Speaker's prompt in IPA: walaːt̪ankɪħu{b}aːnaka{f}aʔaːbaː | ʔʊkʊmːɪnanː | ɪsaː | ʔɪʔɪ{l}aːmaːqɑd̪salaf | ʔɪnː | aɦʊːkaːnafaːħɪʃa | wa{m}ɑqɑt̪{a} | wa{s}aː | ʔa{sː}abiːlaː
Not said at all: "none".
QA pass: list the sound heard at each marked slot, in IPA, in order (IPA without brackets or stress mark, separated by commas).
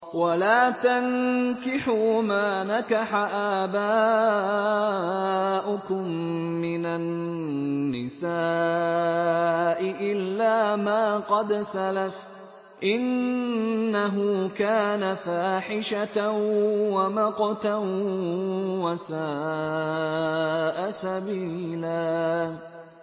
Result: m, ħ, lː, m, a, s, s